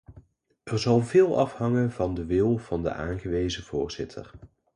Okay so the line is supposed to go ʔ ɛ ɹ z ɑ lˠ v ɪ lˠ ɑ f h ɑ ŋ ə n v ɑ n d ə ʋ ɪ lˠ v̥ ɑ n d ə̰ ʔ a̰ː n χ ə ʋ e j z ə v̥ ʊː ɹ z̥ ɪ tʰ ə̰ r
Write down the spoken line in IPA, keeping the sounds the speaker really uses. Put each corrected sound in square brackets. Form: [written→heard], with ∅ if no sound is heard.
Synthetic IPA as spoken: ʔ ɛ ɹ z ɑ lˠ v [ɪ→ɪː] lˠ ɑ f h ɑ ŋ ə n v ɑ n d ə ʋ ɪ lˠ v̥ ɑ n d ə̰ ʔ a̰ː n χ ə ʋ e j z ə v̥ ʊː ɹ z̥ ɪ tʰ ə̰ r